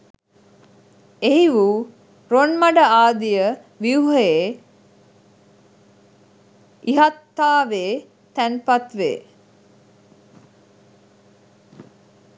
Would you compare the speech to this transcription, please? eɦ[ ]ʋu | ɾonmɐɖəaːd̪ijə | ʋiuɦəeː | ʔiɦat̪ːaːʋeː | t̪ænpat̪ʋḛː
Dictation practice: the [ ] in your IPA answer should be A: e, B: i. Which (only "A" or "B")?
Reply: B